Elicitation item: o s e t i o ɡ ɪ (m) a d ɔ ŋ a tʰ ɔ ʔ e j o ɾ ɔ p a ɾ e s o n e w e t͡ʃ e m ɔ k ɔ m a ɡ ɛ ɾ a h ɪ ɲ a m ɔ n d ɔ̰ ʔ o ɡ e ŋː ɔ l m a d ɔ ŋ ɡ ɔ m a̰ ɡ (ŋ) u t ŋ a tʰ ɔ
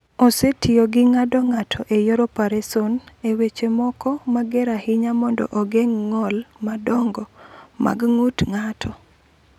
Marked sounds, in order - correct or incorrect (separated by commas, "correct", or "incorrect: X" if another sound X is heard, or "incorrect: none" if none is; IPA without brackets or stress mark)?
incorrect: ŋ, correct